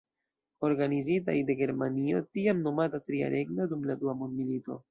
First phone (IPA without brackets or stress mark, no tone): o̞